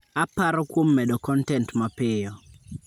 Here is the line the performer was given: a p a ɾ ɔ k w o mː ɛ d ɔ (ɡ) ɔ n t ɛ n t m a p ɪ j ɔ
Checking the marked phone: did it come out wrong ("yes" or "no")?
yes